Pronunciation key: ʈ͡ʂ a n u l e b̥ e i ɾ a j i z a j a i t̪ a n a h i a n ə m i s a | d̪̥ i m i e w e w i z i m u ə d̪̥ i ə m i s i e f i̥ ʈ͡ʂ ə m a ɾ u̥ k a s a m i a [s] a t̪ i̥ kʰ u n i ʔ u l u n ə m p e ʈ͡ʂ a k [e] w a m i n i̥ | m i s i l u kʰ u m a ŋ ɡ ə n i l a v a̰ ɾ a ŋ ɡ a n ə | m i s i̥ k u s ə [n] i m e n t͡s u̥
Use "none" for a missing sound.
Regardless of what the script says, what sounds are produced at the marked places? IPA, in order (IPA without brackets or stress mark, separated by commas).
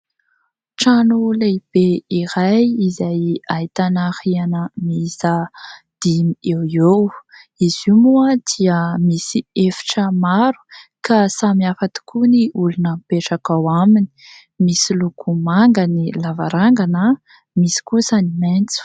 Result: f, a, n